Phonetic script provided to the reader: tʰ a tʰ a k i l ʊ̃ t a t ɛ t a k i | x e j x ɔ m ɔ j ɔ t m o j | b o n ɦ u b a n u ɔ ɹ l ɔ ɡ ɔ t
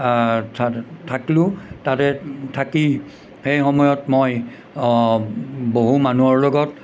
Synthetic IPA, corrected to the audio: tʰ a tʰ a k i l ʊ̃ t a t ɛ tʰ a k i | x e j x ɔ m ɔ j ɔ t m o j | b o ɦ u m a n u ɔ ɹ l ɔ ɡ ɔ t